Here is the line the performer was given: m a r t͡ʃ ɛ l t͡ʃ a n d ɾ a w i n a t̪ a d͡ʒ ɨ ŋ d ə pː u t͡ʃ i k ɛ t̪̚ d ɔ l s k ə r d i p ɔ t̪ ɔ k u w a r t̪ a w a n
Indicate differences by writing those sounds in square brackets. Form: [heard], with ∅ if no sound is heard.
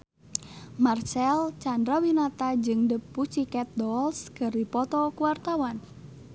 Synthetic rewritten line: m a r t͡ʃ ɛ l t͡ʃ a n d ɾ a w i n a t̪ a d͡ʒ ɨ ŋ d ə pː u t͡ʃ i k ɛ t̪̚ d ɔ l s k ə r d i p ɔ t̪ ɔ k u w a r t̪ a w a n